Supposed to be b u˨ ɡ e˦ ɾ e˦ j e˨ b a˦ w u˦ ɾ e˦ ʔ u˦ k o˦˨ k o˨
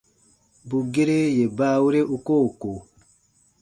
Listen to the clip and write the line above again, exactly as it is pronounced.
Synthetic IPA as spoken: b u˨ ɡ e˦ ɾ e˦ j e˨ b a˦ w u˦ ɾ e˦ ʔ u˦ k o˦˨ k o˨